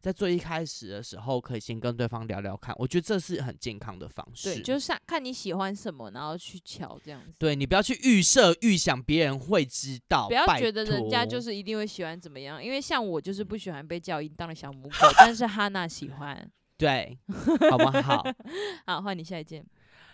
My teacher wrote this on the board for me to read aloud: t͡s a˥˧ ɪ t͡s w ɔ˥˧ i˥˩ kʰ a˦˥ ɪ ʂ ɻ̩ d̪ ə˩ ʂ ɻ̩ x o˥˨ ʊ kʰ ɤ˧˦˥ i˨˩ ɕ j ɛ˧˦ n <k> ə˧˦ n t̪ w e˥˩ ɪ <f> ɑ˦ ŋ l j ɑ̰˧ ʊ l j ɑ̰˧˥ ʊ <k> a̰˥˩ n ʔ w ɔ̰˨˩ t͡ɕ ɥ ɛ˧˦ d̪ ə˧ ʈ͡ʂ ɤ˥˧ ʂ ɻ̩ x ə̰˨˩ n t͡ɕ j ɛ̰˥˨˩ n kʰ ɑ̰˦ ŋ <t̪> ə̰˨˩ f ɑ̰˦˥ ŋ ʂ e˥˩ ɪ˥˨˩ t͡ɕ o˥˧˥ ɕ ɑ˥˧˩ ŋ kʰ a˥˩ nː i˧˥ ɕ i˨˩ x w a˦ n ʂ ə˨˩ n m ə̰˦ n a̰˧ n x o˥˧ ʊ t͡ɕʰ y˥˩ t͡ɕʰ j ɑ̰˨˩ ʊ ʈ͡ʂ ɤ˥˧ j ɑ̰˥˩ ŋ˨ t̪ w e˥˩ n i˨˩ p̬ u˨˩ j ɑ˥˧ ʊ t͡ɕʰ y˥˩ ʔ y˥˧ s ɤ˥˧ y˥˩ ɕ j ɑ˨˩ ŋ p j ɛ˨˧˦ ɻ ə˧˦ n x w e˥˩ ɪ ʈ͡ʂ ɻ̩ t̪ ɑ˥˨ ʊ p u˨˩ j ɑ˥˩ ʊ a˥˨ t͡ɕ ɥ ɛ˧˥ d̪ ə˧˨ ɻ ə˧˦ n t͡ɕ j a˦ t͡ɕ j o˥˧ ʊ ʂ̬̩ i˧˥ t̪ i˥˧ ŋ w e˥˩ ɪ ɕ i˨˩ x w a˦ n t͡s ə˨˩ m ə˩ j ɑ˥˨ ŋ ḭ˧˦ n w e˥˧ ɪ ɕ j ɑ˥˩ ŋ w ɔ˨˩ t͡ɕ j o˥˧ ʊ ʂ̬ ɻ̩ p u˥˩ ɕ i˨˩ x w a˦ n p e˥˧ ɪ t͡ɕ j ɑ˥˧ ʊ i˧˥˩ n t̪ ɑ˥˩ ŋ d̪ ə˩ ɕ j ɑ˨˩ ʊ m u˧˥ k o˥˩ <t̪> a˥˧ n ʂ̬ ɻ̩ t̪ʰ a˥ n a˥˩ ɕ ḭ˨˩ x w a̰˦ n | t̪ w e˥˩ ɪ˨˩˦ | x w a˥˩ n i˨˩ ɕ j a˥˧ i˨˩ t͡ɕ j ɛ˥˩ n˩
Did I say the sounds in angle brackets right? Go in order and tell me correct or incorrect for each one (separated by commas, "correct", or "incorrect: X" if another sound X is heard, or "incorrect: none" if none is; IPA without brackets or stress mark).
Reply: correct, correct, incorrect: kʰ, incorrect: d̪, correct